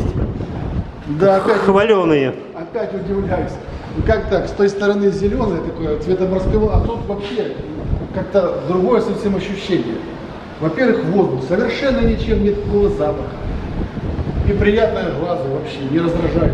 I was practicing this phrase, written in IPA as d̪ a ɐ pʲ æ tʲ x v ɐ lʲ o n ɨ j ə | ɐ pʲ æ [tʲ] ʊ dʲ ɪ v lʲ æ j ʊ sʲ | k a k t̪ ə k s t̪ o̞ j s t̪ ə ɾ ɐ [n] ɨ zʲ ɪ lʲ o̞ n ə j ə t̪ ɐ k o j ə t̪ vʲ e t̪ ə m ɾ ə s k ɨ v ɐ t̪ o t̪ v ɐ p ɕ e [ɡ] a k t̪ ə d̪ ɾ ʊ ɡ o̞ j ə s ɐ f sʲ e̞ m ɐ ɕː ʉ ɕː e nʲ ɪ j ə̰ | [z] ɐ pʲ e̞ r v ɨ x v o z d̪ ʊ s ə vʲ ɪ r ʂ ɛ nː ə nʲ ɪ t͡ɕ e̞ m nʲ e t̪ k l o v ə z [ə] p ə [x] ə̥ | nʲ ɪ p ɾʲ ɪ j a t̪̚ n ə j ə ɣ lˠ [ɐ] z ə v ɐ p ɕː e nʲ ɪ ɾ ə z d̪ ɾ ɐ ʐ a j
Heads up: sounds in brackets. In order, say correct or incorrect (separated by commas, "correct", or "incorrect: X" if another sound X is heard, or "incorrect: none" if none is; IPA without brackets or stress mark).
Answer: correct, correct, incorrect: k, incorrect: v, incorrect: a, correct, incorrect: a